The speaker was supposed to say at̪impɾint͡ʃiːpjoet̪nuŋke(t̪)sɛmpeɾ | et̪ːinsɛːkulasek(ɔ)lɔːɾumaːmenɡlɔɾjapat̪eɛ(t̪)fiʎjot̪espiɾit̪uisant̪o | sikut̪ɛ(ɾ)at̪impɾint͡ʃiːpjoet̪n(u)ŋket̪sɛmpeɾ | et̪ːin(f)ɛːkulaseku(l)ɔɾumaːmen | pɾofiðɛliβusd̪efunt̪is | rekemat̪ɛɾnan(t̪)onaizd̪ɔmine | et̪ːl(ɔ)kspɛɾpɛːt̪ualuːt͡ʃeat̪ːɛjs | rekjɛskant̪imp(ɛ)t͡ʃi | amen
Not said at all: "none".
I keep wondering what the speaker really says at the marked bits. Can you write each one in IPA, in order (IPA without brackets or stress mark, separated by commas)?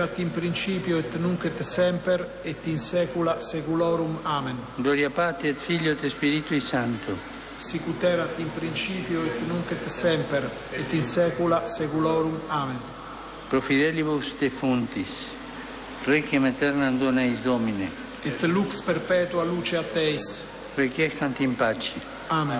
t̪, u, t̪, ɾ, u, s, l, d̪, u, a